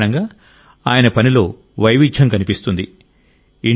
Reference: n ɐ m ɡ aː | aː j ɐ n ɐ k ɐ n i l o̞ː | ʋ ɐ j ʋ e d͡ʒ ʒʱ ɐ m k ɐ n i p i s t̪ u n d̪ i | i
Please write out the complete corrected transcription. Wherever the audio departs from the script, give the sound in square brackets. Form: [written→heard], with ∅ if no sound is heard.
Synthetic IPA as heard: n ɐ [m→ŋ] ɡ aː | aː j ɐ n ɐ [k→p] ɐ n i l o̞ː | ʋ ɐ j ʋ [e→i] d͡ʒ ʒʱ ɐ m k ɐ n i p i s t̪ u n d̪ i | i